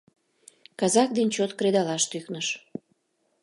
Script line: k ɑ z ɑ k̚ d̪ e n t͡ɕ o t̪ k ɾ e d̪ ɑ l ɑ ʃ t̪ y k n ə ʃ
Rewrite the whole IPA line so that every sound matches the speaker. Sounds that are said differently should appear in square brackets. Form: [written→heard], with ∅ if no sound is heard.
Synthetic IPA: k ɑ z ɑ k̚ d̪ e n t͡ɕ o t̪ k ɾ e d̪ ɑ l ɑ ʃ t̪ y k n ə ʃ